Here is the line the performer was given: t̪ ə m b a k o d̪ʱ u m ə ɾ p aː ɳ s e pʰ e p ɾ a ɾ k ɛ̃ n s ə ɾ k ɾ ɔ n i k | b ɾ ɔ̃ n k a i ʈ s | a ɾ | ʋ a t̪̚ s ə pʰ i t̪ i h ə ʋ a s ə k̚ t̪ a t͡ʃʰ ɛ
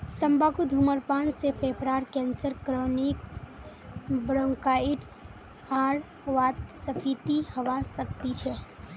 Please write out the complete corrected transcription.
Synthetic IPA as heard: t̪ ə m b a k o d̪ʱ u m ə ɾ p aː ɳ s e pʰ e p ɾ a ɾ k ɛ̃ n s ə ɾ k ɾ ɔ n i k | b ɾ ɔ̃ ŋ k a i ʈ s | a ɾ | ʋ a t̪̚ s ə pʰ i t̪ i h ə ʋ a s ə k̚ t̪ i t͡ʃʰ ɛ